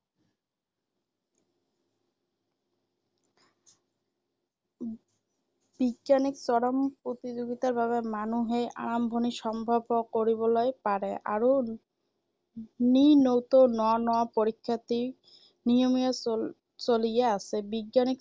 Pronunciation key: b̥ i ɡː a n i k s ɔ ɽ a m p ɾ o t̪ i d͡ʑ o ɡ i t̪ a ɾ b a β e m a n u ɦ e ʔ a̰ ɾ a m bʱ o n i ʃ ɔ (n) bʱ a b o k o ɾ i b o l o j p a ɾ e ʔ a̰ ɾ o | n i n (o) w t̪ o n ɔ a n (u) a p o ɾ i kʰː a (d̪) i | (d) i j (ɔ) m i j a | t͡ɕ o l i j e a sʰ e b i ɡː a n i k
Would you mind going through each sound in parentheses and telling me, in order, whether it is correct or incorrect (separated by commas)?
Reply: incorrect, correct, incorrect, incorrect, incorrect, incorrect